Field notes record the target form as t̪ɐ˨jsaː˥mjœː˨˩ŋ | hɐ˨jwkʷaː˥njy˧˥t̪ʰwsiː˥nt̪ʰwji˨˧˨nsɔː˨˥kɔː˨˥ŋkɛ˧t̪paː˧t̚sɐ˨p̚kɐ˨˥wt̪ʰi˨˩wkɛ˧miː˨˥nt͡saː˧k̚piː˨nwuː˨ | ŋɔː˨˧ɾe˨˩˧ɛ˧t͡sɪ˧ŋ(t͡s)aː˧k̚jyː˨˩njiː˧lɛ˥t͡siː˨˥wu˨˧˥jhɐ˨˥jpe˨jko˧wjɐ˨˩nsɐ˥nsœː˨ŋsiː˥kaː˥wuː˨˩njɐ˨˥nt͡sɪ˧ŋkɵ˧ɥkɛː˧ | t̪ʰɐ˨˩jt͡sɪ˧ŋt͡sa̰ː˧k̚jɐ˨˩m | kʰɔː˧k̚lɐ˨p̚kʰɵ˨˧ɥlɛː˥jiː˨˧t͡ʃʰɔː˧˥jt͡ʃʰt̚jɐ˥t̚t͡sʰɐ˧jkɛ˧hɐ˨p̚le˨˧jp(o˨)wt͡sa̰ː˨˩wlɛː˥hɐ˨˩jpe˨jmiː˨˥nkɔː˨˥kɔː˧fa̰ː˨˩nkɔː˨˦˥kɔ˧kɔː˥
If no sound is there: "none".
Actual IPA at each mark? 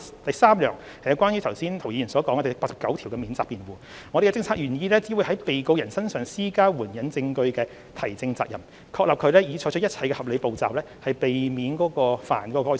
t͡sʰ, o˨

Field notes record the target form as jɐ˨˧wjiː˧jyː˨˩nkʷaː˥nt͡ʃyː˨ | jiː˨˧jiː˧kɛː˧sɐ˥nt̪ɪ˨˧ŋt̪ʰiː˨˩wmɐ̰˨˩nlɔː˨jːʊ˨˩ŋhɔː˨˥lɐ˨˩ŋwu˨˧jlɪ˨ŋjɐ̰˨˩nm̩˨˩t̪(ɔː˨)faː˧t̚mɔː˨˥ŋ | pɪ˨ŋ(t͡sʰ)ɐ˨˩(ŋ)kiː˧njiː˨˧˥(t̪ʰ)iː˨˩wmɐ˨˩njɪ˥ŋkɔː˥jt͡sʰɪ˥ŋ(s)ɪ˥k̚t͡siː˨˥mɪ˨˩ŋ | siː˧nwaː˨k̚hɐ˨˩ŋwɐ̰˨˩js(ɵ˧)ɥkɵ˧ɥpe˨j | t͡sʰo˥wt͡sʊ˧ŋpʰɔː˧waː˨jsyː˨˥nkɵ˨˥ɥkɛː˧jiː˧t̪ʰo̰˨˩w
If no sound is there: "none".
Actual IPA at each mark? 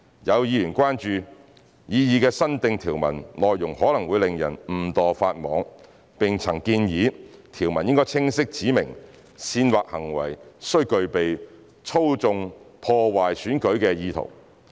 ɔː˨, t͡sʰ, ŋ, t̪ʰ, s, ɵ˥

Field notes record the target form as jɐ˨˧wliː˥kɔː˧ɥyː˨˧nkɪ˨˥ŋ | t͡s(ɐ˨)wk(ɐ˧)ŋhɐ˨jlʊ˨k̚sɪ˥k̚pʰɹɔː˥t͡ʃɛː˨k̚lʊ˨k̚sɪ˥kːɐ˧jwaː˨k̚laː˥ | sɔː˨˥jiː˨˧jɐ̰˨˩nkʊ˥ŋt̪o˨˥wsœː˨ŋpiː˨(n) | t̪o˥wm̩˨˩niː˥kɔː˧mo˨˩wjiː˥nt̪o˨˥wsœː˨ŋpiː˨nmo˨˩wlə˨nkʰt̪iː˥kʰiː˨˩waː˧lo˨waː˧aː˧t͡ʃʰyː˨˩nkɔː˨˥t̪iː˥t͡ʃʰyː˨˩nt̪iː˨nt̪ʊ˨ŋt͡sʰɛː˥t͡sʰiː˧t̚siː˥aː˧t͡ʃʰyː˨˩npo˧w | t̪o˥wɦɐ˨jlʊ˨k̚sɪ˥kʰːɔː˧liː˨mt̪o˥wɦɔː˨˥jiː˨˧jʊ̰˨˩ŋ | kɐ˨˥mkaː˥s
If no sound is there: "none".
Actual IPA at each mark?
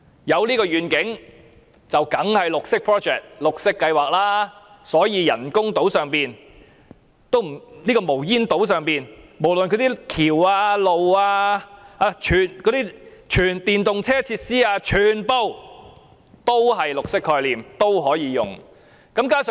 ɐ˨, ɐ˨˥, n

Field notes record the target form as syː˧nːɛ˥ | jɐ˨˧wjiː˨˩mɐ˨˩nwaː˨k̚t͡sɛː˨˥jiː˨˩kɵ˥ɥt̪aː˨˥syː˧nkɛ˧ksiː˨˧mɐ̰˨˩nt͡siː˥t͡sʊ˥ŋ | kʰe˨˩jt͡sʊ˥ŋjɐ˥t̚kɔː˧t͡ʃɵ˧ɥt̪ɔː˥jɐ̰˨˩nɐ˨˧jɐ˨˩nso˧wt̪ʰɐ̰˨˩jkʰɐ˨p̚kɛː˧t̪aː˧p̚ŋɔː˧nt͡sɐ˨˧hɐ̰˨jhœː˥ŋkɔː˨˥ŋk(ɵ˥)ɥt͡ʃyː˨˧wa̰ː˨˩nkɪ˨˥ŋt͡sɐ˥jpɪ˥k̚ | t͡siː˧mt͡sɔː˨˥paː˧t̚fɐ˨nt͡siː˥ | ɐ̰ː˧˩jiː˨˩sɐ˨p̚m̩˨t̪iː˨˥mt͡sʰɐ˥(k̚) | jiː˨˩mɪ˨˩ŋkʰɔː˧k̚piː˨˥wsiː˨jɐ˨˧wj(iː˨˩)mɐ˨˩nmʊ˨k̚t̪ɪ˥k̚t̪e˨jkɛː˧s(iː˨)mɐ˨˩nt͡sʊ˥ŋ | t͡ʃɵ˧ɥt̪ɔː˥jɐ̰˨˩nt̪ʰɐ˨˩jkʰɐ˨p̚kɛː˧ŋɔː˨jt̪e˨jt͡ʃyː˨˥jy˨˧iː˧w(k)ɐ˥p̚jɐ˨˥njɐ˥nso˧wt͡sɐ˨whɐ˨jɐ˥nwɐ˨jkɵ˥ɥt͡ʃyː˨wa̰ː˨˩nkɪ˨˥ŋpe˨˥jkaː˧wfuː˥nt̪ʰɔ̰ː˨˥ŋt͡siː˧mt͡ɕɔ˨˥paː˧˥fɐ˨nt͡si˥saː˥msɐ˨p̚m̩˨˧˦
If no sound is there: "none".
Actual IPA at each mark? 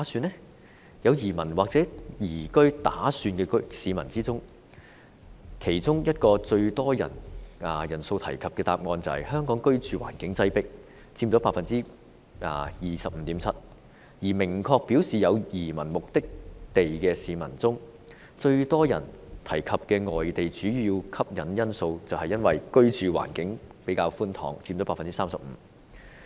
ɵ˥, t̚, iː˨˩, iː˨, kʰ

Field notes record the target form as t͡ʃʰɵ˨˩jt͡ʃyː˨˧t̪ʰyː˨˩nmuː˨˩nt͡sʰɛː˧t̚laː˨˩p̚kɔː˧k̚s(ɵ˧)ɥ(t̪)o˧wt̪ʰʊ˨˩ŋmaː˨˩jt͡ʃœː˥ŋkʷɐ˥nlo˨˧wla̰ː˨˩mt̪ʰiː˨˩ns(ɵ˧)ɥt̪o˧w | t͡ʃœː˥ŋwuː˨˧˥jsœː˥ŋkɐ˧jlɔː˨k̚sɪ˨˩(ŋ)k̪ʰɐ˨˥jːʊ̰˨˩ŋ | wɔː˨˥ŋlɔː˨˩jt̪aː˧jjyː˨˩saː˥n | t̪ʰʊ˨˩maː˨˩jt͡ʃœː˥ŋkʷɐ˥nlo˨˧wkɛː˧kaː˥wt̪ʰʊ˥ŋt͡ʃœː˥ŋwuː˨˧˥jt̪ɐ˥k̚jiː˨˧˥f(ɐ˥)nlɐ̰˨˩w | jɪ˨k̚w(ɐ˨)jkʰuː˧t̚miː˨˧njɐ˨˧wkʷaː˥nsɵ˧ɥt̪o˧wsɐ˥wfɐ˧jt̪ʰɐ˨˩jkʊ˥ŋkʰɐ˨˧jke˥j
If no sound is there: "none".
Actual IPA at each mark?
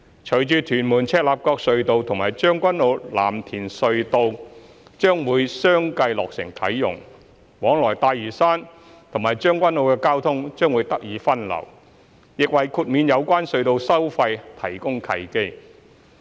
ɵ˧, t̪, ɵ˧, ŋ, ɐ˥, ɐ˨

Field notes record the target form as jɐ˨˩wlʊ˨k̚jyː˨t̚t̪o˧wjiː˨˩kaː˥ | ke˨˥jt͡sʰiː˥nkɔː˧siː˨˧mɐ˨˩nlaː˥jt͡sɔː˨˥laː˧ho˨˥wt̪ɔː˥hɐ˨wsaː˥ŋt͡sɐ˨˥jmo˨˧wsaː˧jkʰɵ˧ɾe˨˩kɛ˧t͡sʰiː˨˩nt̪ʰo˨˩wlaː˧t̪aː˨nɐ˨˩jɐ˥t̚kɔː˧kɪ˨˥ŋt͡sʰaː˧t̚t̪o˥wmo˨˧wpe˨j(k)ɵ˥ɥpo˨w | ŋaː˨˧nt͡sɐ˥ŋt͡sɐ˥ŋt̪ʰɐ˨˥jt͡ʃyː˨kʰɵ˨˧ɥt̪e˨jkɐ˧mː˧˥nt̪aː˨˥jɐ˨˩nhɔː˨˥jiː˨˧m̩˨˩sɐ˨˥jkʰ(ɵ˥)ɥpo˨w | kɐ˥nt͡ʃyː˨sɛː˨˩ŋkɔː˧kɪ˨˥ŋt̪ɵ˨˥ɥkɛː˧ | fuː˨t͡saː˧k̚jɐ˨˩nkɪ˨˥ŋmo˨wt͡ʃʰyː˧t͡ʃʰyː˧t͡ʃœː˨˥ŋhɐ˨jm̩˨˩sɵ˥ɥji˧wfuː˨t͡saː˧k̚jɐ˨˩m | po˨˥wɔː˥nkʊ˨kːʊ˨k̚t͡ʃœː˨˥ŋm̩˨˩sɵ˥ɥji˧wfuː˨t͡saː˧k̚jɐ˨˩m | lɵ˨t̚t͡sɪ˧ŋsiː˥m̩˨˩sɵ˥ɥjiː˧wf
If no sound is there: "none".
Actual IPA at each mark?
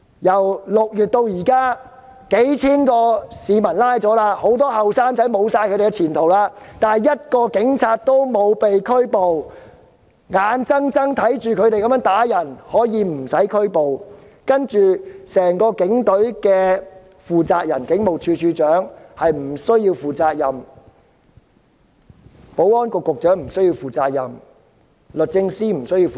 kʰ, ɵ˥

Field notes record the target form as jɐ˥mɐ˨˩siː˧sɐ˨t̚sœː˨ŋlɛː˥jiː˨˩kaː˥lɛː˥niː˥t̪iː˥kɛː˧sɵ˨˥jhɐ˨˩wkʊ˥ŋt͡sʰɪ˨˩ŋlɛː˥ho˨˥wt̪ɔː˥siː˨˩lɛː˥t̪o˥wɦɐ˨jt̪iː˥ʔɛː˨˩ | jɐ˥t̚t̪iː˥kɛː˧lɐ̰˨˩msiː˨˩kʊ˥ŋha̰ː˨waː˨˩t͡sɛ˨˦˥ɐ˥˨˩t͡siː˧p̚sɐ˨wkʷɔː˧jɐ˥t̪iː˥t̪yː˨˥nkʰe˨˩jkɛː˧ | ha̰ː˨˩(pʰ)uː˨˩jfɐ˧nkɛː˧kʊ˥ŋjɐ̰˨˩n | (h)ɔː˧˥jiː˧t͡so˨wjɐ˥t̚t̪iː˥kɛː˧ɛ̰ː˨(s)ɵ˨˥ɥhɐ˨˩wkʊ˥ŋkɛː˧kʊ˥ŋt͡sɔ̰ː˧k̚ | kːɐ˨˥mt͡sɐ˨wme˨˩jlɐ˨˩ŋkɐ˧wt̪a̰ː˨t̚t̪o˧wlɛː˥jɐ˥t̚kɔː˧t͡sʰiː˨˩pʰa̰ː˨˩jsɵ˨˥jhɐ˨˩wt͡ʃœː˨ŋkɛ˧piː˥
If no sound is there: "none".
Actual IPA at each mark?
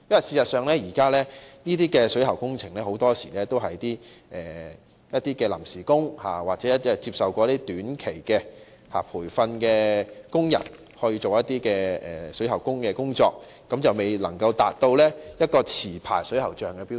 pʰ, h, s

